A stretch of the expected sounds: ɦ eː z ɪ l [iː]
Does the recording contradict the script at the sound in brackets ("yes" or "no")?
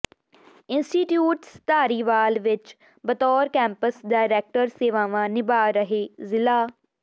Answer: yes